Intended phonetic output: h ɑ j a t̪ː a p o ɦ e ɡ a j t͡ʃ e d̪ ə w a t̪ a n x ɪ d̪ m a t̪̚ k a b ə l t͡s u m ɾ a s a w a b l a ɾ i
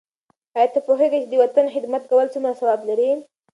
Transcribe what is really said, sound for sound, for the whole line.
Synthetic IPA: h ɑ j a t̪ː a p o ɦ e ɡ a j t͡ʃ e d̪ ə w a t̪ a n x ɪ d̪ m a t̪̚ k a w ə l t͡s u m ɾ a s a w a b l a ɾ i